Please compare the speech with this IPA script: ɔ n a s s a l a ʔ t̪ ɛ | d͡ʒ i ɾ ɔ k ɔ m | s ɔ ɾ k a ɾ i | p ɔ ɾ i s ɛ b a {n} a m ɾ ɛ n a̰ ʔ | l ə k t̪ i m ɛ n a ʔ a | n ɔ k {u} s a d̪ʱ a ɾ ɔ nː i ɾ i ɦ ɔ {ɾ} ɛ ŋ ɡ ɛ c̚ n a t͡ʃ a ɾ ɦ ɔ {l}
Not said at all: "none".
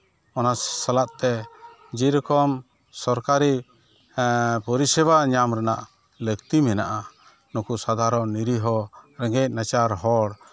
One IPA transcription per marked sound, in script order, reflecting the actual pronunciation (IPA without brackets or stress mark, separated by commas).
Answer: ɲ, u, ɾ, ɽ